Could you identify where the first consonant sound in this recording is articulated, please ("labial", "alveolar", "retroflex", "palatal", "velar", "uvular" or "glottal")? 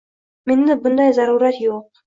labial